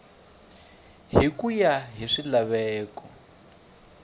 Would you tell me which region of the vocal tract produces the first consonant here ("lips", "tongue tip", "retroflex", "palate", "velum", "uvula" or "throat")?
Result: throat